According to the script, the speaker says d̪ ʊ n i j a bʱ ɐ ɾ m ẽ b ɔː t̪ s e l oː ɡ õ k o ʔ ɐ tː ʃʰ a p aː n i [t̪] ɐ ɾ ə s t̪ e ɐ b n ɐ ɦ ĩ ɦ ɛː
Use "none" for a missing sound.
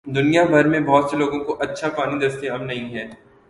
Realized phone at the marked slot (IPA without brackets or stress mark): d̪